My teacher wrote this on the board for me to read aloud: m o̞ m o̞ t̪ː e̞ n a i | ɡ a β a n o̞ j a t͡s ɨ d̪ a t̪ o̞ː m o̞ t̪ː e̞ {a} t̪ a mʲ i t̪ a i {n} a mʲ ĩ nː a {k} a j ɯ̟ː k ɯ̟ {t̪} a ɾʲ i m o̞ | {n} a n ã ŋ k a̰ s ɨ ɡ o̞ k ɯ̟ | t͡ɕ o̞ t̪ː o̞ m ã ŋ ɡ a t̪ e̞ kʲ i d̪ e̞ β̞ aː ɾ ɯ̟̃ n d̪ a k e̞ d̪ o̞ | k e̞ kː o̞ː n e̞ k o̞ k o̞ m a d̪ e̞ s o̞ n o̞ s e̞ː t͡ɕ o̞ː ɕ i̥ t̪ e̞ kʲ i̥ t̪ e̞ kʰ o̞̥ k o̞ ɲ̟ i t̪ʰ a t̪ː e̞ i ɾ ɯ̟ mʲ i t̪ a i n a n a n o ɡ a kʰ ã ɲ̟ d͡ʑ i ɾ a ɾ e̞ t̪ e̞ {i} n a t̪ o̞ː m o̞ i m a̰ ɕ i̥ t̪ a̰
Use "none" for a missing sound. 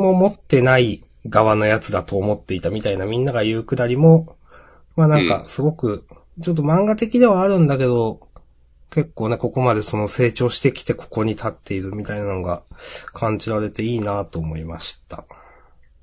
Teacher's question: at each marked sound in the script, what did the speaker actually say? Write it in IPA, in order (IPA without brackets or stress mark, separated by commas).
i, n, ɡ, d̪, m, iː